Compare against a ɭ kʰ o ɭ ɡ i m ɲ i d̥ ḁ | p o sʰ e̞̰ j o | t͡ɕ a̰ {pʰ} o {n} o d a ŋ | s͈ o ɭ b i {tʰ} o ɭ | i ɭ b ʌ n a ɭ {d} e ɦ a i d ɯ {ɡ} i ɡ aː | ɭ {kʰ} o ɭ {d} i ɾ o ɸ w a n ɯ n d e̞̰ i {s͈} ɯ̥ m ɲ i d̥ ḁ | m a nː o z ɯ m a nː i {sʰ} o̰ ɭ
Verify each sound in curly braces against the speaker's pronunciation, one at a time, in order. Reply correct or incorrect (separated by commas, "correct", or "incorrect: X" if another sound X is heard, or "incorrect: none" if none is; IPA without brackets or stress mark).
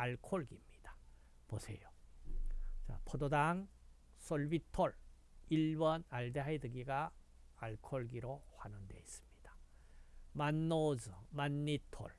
correct, incorrect: d, correct, correct, correct, correct, incorrect: ɡ, correct, incorrect: tʰ